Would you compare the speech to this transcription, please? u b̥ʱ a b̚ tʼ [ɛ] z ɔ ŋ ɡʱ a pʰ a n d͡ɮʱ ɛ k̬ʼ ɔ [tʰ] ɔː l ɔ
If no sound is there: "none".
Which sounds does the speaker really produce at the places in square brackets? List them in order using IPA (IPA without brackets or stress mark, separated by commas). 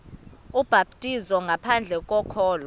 i, kʰ